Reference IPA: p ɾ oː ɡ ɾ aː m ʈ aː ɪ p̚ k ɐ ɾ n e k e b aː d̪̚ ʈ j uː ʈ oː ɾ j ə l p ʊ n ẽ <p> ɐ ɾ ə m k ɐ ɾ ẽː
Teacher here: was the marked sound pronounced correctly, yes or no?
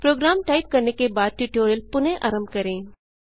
no